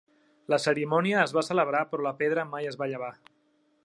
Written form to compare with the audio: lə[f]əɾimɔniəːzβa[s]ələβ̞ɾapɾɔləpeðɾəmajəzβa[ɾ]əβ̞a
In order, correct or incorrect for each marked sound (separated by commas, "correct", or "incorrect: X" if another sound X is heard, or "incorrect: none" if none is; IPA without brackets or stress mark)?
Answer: incorrect: s, correct, incorrect: ʎ